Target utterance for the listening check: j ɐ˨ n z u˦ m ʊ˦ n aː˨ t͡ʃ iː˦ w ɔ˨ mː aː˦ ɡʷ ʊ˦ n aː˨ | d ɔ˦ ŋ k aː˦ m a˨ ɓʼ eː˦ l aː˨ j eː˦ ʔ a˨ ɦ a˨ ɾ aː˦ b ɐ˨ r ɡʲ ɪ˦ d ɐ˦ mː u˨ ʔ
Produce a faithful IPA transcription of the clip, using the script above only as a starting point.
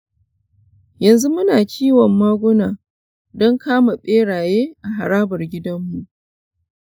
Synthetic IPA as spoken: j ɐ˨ n z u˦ m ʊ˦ n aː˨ t͡ʃ iː˦ w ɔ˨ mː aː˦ ɡʷ ʊ˦ n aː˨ | d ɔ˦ ŋ k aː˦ m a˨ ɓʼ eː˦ ɽ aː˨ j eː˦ ʔ a˨ ɦ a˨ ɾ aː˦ b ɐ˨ r ɡʲ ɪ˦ d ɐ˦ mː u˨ ʔ